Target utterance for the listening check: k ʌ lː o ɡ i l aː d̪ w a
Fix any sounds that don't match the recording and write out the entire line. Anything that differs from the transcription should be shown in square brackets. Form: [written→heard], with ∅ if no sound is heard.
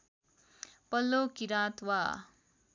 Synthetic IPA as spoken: [k→p] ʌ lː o [ɡ→k] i [l→ɾ] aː [d̪→t̪] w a